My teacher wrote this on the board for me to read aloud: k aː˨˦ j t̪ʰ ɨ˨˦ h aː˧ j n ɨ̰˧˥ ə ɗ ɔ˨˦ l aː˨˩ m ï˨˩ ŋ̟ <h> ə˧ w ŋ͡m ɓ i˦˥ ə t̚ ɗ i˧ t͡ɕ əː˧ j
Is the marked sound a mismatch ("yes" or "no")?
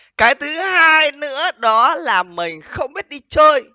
yes